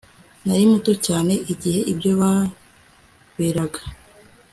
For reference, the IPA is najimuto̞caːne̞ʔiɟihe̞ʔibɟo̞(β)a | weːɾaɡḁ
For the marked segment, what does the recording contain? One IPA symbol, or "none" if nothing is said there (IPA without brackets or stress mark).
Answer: β